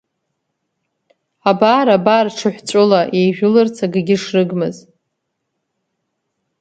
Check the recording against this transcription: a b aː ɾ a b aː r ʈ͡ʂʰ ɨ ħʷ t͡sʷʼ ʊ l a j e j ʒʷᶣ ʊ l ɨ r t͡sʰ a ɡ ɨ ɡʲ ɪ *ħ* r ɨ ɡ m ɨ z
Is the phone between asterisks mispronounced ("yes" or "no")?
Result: yes